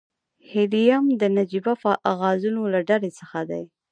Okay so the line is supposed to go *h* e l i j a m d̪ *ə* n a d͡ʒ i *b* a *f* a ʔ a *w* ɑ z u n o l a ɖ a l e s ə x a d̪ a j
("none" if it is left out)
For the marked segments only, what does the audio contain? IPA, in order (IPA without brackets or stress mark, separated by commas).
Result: h, ə, b, f, ɣ